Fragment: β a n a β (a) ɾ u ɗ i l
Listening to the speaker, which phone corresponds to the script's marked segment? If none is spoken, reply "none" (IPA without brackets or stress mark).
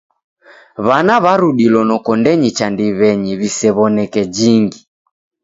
a